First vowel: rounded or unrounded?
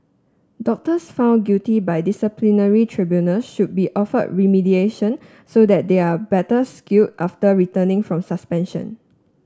rounded